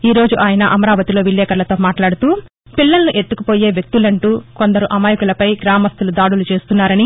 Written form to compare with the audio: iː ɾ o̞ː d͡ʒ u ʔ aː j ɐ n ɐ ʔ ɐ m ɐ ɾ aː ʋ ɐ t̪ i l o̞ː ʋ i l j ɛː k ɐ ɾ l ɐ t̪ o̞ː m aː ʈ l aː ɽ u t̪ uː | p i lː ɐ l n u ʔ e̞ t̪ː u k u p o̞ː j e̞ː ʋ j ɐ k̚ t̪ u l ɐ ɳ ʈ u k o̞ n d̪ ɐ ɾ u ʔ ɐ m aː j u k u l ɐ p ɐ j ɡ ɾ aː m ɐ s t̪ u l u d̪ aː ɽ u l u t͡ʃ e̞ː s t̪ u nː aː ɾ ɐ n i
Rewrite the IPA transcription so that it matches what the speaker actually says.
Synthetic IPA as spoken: iː ɾ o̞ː d͡ʒ u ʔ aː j ɐ n ɐ ʔ ɐ m ɐ ɾ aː ʋ ɐ t̪ i l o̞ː ʋ i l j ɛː k ɐ ɾ l ɐ t̪ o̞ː m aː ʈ l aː ɽ u t̪ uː | p i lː ɐ l n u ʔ e̞ t̪ː u k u p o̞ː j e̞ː ʋ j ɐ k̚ t̪ u l ɐ ɳ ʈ uː k o̞ n d̪ ɐ ɾ u ʔ ɐ m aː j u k u l ɐ p ɐ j ɡ ɾ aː m ɐ s t̪ u l u d̪ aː ɽ u l u t͡ʃ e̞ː s t̪ u nː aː ɾ ɐ n i